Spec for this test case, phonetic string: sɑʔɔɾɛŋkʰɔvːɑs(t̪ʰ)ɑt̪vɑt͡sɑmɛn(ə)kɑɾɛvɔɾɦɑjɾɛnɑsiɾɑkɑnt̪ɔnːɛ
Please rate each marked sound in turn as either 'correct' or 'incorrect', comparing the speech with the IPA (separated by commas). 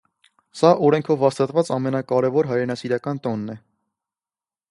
incorrect, incorrect